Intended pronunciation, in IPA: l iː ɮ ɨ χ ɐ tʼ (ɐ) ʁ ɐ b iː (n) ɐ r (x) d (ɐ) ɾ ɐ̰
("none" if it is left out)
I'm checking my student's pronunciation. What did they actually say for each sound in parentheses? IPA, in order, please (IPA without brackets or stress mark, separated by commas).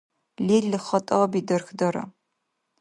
ɐ, d, x, ɐ